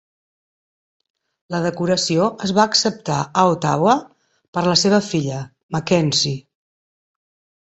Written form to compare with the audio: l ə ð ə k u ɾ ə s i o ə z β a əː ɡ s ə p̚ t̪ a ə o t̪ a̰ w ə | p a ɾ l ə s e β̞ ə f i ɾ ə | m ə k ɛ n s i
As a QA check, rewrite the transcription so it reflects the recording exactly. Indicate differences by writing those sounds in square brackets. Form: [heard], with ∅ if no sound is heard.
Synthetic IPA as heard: l ə ð ə k u ɾ ə s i o ə z β a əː [k] s ə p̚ t̪ a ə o t̪ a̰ w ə | p [ə] ɾ l ə s e β̞ ə f i [ʎ] ə | m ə k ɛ n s i